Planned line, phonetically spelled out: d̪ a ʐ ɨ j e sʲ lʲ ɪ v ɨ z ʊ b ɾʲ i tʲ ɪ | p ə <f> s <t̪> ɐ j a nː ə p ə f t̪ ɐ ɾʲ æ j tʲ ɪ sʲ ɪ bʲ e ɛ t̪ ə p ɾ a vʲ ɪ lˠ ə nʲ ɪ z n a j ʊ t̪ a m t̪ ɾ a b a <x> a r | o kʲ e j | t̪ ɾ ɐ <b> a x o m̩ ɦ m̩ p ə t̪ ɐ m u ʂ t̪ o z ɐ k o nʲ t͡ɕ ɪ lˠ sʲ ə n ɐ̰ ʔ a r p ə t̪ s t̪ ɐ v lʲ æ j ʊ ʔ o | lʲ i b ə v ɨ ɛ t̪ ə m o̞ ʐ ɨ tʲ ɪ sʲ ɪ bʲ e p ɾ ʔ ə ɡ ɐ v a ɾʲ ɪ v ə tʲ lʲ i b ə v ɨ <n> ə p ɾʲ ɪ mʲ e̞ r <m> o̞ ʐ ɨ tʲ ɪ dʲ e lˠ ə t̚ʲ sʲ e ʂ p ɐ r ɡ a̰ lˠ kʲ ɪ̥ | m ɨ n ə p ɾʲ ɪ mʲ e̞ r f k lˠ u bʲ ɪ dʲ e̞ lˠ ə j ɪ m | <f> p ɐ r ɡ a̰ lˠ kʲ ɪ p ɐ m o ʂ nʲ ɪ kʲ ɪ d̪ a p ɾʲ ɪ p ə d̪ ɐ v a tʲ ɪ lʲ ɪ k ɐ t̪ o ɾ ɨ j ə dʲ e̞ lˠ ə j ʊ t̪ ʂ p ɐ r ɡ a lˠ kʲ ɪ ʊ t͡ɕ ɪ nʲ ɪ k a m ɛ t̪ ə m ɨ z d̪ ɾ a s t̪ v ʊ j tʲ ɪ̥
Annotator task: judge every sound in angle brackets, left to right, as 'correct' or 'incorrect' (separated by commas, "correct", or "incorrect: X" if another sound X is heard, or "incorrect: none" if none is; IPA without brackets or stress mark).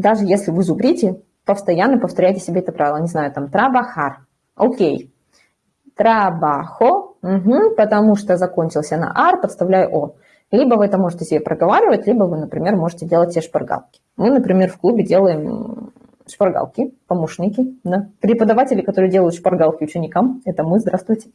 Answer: correct, correct, correct, correct, correct, correct, incorrect: ʂ